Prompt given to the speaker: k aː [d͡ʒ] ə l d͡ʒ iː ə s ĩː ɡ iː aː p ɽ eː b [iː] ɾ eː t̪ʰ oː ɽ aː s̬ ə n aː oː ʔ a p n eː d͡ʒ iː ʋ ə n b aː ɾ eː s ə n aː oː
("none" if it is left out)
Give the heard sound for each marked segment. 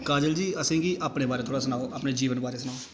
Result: d͡ʒ, aː

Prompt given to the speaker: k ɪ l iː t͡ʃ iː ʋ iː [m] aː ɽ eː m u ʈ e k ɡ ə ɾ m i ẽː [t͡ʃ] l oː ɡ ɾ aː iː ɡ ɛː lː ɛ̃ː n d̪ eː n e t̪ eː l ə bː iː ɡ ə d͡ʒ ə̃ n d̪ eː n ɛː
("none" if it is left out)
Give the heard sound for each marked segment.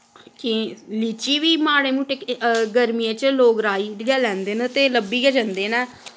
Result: m, t͡ʃ

